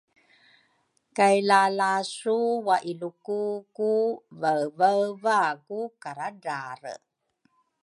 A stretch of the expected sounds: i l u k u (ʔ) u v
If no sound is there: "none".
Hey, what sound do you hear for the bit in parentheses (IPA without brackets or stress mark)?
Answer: k